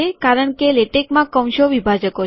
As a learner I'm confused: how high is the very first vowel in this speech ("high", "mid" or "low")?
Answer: mid